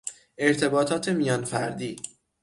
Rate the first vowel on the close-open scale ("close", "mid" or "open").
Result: mid